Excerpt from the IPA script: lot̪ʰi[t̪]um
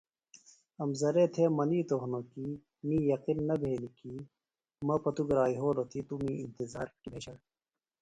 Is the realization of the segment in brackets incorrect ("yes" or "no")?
no